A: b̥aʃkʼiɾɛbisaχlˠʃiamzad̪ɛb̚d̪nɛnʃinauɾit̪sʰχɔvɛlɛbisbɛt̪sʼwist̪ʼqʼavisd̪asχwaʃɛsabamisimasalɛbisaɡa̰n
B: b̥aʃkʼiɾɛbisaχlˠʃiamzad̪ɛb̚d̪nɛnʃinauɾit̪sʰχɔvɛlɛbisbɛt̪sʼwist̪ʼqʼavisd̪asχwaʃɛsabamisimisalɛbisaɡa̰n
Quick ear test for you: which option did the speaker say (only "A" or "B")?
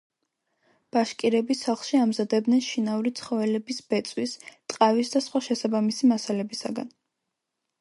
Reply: A